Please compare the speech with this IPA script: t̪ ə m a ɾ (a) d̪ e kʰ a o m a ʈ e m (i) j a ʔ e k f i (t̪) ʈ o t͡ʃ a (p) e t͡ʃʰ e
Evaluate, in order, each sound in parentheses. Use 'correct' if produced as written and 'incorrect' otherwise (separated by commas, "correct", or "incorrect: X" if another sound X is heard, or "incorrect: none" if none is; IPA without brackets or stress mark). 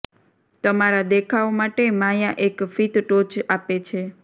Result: correct, incorrect: a, correct, correct